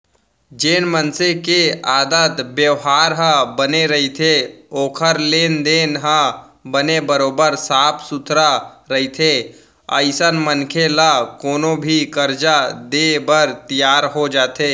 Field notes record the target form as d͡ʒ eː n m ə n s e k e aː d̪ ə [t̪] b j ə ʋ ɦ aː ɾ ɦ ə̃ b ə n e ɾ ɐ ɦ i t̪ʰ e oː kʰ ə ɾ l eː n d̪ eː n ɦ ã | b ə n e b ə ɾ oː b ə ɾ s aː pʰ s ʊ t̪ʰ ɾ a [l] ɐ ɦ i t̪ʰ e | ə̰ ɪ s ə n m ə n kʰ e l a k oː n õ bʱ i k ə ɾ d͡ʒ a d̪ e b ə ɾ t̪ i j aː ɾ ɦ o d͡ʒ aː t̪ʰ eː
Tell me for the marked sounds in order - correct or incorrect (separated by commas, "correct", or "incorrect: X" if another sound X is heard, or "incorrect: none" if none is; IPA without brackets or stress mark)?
correct, incorrect: ɾ